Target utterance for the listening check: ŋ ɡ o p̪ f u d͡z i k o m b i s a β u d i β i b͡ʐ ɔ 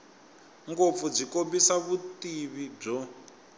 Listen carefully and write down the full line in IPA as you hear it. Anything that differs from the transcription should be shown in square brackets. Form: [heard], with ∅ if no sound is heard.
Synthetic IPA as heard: ŋ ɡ o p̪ f u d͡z i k o m b i s a β u [t] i β i b͡ʐ ɔ